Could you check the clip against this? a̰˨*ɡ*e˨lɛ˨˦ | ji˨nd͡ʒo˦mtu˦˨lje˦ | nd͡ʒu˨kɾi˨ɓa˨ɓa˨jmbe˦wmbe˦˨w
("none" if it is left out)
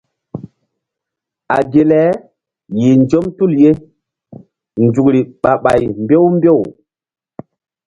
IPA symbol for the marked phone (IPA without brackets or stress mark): ɡ